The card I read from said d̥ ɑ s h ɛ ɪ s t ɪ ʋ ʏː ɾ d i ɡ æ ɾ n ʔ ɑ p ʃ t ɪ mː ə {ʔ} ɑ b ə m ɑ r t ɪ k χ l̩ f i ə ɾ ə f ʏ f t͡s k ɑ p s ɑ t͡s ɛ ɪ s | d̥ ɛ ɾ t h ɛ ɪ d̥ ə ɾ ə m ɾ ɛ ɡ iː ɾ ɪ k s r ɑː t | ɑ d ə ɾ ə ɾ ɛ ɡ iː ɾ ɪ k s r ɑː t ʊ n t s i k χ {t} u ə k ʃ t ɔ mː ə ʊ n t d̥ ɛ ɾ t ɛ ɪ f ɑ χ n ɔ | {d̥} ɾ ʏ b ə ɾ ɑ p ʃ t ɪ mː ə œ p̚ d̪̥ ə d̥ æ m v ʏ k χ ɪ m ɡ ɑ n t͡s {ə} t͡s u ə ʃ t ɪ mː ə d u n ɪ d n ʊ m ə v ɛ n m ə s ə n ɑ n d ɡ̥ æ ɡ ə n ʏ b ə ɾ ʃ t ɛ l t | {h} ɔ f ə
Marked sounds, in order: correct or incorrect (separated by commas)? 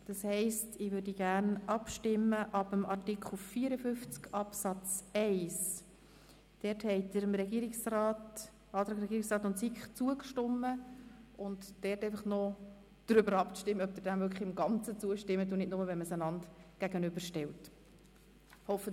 correct, incorrect, correct, correct, correct